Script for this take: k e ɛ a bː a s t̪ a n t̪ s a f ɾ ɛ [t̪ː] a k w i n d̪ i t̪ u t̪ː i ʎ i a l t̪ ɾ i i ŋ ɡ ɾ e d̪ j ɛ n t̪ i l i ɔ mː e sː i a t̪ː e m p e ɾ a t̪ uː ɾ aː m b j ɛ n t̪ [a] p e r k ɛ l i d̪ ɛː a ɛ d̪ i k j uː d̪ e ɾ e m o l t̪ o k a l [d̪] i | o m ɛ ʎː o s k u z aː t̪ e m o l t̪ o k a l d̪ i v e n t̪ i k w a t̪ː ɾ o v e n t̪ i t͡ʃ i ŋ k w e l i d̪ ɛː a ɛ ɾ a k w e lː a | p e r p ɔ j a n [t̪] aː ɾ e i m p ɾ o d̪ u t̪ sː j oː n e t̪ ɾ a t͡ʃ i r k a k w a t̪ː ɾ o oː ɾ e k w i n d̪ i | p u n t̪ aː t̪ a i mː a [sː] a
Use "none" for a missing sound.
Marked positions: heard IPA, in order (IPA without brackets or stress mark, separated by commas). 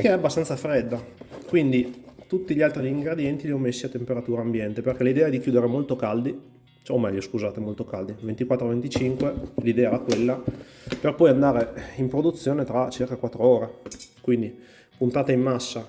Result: d̪ː, e, d̪, d̪, sː